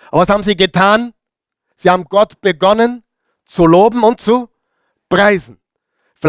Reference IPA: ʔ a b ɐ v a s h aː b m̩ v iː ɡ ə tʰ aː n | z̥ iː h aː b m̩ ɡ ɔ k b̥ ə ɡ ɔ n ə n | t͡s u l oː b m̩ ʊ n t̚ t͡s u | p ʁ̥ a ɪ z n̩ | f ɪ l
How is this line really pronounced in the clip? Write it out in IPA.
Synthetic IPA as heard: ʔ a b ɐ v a s h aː b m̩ z iː ɡ ə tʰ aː n | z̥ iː h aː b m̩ ɡ ɔ t b̥ ə ɡ ɔ n ə n | t͡s u l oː b m̩ ʊ n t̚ t͡s u | p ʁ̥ a ɪ z n̩ | f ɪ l